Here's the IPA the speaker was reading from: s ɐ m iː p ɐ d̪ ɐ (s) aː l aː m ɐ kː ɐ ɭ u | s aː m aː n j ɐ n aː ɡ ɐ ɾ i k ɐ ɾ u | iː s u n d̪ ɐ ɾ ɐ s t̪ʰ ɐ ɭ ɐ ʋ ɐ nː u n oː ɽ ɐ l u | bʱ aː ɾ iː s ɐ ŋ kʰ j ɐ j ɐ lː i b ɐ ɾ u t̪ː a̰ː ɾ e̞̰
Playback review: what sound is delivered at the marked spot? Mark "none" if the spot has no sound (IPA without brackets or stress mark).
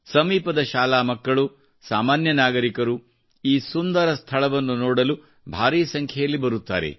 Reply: ʃ